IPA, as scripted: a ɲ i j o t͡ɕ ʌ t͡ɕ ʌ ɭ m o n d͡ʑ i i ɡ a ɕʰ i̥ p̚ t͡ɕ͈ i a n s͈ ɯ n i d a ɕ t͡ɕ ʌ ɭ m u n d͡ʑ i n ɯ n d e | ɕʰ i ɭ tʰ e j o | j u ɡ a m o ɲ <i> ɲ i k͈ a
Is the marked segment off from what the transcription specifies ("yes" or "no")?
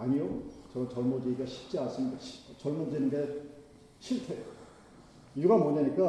yes